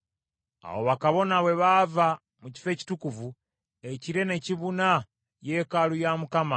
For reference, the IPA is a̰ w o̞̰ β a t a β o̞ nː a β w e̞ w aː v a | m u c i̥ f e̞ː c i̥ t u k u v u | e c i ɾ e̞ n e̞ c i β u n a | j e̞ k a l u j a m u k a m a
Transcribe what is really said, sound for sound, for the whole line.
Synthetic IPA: a̰ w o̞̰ β a k a β o̞ n a β w e̞ β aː v a | m u c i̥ f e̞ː c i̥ t u k u v u | e c i ɾ e̞ n e̞ c i β u n a | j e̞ k a l u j a m u k a m a

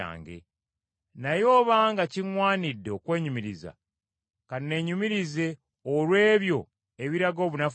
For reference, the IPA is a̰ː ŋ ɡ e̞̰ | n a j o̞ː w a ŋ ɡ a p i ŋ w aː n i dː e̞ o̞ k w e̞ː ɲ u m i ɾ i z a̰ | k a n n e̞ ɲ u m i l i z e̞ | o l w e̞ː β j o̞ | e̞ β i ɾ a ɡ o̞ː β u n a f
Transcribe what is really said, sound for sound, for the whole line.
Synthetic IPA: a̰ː ŋ ɡ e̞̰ | n a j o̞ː β a ŋ ɡ a c i ŋ w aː n i dː e̞ o̞ k w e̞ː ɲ u m i ɾ i z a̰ | k a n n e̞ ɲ u m i ɾ i z e̞ | o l w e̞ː β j o̞ | e̞ β i ɾ a ɡ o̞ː β u n a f

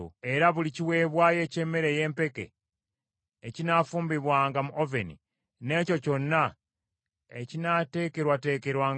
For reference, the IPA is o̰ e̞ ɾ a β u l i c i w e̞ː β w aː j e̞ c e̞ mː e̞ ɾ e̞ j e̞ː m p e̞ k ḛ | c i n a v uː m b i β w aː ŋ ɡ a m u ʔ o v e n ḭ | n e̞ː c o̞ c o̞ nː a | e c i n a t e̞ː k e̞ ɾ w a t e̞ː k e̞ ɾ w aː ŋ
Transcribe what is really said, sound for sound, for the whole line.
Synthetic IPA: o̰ e̞ ɾ a β u l i c i w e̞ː β w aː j e̞ c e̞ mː e̞ ɾ e̞ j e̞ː m p e̞ k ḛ | c i n a f uː m b i β w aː ŋ ɡ a m u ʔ o v e n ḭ | n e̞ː c o̞ c o̞ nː a | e c i n a t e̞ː k e̞ ɾ w a t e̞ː k e̞ ɾ w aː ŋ

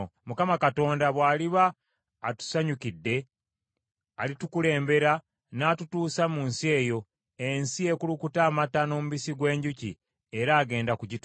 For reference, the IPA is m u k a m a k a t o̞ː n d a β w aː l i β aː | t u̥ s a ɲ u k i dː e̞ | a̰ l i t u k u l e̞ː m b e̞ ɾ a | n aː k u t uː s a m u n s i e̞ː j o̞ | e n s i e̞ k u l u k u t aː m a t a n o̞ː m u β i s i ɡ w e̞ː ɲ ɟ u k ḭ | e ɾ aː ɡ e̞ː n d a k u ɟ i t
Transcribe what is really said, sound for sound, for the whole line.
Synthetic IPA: m u k a m a k a t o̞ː n d a β w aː l i β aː | t u̥ s a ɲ u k i dː e̞ | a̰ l i t u k u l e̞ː m b e̞ ɾ a | n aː t u t uː s a m u n s i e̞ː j o̞ | e n s i e̞ k u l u k u t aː m a t a n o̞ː m u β i s i ɡ w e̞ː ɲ ɟ u c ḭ | e ɾ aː ɡ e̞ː n d a k u ɟ i t

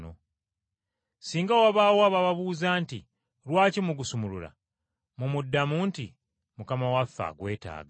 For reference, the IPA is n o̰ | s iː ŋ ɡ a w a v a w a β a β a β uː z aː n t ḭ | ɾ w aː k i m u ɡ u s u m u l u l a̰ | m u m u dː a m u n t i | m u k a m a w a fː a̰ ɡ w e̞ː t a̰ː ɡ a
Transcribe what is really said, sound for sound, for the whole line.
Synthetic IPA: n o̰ | s iː ŋ ɡ a w a β a w a β a β a β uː z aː n t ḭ | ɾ w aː c i m u ɡ u s u m u l u l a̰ | m u m u dː a m u n t i | m u k a m a w a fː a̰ ɡ w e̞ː t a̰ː ɡ a

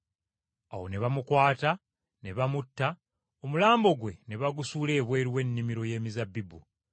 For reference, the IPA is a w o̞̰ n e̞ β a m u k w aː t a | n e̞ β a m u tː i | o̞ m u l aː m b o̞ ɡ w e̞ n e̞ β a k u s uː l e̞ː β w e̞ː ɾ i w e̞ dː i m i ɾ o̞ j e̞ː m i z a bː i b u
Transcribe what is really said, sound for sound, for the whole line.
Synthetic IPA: a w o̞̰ n e̞ β a m u k w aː t a | n e̞ β a m u tː a | o̞ m u l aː m b o̞ ɡ w e̞ n e̞ β a ɡ u s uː l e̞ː β w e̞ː ɾ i w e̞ nː i m i ɾ o̞ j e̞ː m i z a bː i b u

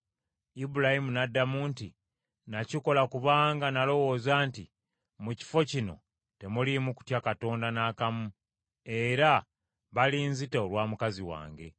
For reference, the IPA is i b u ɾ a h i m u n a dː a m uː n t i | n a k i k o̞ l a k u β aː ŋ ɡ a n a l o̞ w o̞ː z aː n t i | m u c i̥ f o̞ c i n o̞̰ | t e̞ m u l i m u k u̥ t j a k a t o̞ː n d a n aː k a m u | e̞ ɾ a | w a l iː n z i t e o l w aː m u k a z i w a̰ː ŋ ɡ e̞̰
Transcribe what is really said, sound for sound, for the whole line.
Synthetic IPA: i b u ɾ a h i m u n a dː a m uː n t i | n a c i k o̞ l a k u β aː ŋ ɡ a n a l o̞ w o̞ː z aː n t i | m u c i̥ f o̞ c i n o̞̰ | t e̞ m u l i m u k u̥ t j a k a t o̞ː n d a n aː k a m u | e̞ ɾ a | β a l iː n z i t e o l w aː m u k a z i w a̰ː ŋ ɡ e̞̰

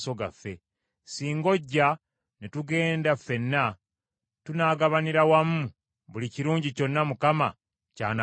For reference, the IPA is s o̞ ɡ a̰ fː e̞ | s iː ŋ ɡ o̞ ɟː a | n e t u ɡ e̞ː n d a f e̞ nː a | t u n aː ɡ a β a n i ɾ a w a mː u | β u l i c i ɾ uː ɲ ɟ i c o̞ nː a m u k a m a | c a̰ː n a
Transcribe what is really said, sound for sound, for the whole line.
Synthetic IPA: s o̞ ɡ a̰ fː e̞ | s iː ŋ ɡ o̞ ɟː a | n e t u ɡ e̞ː n d a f e̞ nː a | t u n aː ɡ a β a n i ɾ a w a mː u | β u l i c i ɾ uː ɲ ɟ i c o̞ nː a m u k a m a | c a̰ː n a

